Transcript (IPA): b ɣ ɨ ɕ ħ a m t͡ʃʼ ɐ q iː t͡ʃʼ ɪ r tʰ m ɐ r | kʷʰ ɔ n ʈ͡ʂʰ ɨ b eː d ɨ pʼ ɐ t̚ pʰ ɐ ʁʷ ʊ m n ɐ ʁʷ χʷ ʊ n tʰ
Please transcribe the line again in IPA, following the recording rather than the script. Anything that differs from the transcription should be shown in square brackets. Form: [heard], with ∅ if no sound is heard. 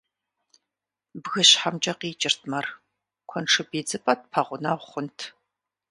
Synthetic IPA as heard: b ɣ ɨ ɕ ħ a m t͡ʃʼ ɐ q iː t͡ʃʼ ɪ r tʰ m ɐ r | kʷʰ ɔ n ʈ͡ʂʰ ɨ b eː [d͡z] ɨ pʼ ɐ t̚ pʰ ɐ ʁʷ ʊ [∅] n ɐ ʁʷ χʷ ʊ n tʰ